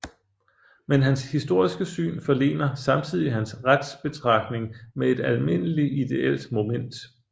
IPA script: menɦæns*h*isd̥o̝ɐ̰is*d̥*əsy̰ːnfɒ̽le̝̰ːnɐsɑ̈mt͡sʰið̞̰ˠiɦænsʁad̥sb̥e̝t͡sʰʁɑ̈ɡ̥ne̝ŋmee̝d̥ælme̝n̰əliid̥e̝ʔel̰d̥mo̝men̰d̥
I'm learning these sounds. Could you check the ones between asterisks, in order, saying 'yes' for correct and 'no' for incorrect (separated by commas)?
yes, no